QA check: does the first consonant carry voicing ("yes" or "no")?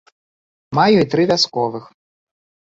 yes